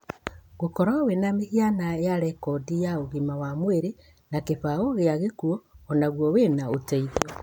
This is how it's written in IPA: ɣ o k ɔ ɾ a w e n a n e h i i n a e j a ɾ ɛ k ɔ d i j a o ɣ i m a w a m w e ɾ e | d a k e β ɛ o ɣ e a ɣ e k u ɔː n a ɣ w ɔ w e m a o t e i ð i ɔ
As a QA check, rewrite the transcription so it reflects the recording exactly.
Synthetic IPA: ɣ o k ɔ ɾ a w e n a m e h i a n a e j a ɾ ɛ k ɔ d i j a o ɣ i m a w a m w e ɾ e | n a k e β a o ɣ e a ɣ e k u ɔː n a ɣ w ɔ w e n a o t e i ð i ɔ